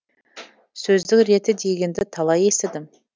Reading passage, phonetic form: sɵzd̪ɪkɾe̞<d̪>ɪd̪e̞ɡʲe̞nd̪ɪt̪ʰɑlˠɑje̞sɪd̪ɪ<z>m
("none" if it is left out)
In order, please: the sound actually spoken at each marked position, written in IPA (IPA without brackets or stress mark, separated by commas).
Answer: t̪, none